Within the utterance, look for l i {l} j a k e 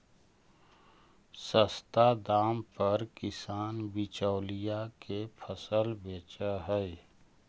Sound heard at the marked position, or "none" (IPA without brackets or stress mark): none